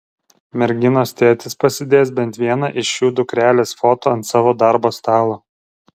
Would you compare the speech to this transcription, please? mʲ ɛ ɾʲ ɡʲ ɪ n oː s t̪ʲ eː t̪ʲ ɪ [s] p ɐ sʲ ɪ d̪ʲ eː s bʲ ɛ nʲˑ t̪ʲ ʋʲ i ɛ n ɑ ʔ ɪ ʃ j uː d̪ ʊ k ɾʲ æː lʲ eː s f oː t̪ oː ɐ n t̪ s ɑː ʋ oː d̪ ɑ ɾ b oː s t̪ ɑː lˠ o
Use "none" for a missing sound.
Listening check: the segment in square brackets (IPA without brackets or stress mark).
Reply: s